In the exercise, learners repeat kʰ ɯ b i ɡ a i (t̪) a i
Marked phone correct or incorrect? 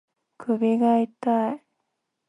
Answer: correct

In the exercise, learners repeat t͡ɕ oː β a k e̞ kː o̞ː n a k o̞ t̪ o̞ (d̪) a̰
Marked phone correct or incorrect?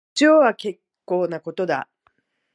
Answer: correct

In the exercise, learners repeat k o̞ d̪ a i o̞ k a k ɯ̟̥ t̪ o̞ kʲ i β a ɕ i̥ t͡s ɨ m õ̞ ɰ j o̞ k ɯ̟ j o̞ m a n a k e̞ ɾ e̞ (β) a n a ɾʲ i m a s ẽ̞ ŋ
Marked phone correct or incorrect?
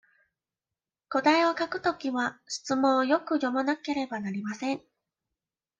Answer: incorrect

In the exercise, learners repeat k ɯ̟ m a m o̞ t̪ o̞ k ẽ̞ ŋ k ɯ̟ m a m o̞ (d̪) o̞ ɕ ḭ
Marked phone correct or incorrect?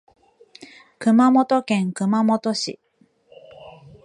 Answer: incorrect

